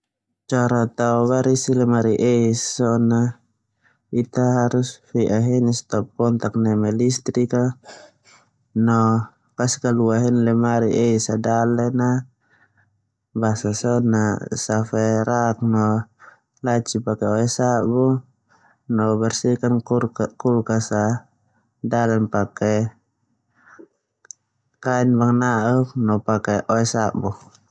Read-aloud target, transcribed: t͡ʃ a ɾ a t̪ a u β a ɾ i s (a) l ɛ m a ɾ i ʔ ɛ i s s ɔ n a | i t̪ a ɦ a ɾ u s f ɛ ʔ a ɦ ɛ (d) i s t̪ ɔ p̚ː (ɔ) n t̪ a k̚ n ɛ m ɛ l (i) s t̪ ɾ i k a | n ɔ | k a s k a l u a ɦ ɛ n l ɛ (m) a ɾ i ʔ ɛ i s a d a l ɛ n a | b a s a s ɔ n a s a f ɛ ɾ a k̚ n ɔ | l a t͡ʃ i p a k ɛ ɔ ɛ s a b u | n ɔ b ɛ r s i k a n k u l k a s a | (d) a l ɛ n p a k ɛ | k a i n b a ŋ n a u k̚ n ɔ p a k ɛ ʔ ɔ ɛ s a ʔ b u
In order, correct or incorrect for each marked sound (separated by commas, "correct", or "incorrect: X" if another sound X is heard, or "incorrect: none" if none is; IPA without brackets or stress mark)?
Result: incorrect: i, incorrect: n, correct, correct, correct, correct